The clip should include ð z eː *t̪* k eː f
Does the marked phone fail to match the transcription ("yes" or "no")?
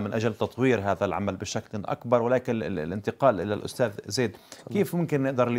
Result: yes